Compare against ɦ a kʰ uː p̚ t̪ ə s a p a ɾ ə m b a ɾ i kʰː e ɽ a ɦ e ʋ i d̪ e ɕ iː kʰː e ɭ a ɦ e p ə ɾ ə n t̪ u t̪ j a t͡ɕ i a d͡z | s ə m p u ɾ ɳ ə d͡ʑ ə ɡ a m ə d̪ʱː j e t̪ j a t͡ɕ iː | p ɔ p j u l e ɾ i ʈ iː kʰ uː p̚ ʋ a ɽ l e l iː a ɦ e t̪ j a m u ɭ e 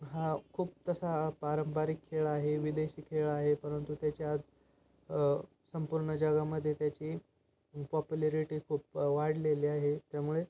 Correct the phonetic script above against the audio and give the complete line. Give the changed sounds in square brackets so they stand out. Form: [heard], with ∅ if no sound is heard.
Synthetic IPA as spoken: ɦ a kʰ uː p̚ t̪ ə s a p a ɾ ə m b a ɾ i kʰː e [ɭ] a ɦ e ʋ i d̪ e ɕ iː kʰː e ɭ a ɦ e p ə ɾ ə n t̪ u t̪ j a t͡ɕ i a d͡z | s ə m p u ɾ ɳ ə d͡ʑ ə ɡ a m ə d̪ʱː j e t̪ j a t͡ɕ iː | p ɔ p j u l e ɾ i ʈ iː kʰ uː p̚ ʋ a ɽ l e l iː a ɦ e t̪ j a m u ɭ e